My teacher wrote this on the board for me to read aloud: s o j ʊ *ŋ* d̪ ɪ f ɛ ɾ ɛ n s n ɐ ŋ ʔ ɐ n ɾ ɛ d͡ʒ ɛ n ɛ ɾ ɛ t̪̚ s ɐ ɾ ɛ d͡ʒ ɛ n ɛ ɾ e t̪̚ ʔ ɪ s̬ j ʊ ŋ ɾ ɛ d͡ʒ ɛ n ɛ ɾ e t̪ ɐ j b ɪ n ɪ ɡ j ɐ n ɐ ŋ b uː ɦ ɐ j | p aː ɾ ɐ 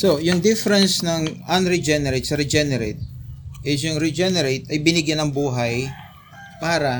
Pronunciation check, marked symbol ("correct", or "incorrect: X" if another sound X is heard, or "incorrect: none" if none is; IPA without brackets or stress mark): correct